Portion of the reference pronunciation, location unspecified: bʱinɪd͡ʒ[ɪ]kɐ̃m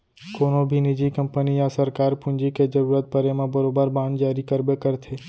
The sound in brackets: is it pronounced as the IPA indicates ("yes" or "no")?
no